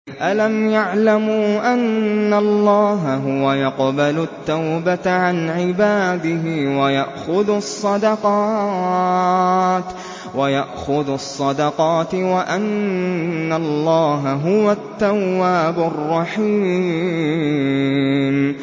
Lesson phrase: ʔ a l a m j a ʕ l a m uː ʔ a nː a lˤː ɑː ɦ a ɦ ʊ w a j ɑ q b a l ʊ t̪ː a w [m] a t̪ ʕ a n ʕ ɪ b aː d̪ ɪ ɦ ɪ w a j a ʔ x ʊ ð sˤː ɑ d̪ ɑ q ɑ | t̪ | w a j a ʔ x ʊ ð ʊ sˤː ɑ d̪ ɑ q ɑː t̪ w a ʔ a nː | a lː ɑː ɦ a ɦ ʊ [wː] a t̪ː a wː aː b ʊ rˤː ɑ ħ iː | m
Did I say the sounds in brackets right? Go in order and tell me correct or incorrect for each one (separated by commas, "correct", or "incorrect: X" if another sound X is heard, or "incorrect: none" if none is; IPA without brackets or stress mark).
incorrect: b, incorrect: w